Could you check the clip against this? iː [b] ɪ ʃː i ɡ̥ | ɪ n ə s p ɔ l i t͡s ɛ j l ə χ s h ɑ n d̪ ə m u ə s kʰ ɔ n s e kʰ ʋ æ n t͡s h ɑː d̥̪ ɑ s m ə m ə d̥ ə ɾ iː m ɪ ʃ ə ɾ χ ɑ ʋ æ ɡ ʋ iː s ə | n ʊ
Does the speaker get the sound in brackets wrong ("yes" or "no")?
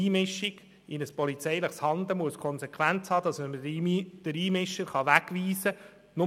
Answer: yes